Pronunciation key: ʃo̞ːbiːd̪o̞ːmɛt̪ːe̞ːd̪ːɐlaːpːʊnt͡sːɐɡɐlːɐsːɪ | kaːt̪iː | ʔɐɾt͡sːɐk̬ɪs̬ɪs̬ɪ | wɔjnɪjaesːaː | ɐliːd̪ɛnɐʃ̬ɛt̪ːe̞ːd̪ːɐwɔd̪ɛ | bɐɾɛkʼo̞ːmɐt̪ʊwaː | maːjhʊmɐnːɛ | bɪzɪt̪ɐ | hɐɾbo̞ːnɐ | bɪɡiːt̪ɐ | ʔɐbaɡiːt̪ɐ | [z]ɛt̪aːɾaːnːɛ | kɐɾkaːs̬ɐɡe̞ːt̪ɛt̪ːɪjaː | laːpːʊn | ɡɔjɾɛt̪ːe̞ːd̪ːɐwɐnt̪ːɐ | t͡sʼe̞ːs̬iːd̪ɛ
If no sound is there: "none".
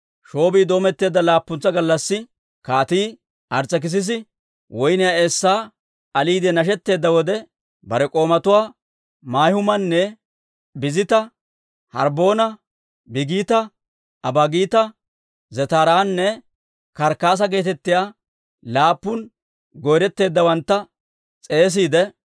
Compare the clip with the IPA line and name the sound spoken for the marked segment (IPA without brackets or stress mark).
z